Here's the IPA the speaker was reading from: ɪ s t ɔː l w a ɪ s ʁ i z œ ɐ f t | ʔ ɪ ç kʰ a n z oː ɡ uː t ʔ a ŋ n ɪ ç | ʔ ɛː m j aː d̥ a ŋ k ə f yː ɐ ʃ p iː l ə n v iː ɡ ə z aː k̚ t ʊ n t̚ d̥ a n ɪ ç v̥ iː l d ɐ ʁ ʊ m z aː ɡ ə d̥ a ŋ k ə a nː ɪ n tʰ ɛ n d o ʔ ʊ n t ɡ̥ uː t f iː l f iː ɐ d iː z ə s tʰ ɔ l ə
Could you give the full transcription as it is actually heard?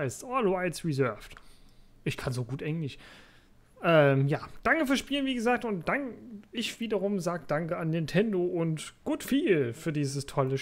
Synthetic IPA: ɪ s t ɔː l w a ɪ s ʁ i z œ ɐ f t | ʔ ɪ ç kʰ a n z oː ɡ uː t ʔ ɛ ŋ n ɪ ç | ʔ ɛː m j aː d̥ a ŋ k ə f yː ɐ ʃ p iː l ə n v iː ɡ ə z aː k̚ t ʊ n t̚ d̥ a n ɪ ç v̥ iː d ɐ ʁ ʊ m z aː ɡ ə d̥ a ŋ k ə a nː ɪ n tʰ ɛ n d o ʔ ʊ n t ɡ̥ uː t f iː l f yː ɐ d iː z ə s tʰ ɔ l ə